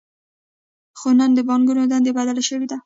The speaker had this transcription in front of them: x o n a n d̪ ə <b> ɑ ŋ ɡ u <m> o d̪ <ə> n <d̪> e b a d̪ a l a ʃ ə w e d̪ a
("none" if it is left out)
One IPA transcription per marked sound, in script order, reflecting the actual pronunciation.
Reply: b, n, a, d̪

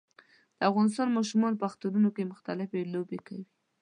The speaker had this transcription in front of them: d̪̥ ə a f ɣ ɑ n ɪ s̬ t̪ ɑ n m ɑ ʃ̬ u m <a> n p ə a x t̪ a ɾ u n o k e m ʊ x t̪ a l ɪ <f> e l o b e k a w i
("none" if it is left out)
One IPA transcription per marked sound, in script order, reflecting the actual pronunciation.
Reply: ɑ, f

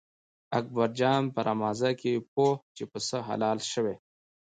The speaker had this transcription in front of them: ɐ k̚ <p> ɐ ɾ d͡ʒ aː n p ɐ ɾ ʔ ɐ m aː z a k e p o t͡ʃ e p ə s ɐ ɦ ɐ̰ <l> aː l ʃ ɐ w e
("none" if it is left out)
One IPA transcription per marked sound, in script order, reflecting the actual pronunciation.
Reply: b, l

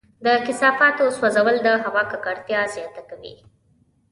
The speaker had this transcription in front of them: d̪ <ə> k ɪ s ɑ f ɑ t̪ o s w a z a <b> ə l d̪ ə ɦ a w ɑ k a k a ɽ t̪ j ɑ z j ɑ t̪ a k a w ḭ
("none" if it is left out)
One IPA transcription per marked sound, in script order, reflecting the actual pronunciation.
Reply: ə, w

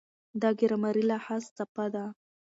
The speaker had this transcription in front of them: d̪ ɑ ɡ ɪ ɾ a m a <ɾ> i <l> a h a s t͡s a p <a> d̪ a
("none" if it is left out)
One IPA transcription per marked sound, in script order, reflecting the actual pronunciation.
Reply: ɾ, l, a

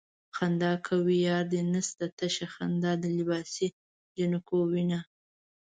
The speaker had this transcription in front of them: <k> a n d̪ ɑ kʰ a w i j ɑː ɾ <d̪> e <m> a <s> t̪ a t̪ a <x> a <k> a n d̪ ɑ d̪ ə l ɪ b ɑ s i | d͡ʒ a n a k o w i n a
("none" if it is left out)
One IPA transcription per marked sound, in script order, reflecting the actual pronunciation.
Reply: x, d̪, n, s, ʃ, x

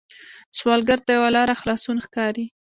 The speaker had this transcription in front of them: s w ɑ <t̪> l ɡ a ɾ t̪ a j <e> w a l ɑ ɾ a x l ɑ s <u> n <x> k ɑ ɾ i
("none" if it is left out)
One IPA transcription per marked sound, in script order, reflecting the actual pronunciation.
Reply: none, a, u, x

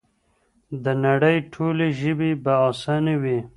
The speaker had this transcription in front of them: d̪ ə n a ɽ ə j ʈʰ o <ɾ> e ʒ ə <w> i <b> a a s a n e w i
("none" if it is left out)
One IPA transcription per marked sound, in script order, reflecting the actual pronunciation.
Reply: l, b, b

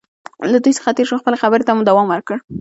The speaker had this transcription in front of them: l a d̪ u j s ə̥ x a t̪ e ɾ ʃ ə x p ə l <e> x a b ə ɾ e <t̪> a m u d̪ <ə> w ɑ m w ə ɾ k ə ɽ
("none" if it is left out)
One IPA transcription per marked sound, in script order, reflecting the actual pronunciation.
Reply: e, t̪, a

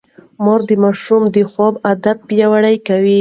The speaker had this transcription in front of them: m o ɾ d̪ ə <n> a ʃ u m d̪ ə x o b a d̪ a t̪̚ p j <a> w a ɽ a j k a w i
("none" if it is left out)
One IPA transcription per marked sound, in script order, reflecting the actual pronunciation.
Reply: m, a

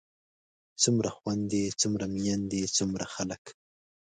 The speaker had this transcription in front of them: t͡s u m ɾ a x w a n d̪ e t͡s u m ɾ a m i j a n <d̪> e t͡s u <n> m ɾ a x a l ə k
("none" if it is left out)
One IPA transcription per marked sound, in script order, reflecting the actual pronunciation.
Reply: d̪, none

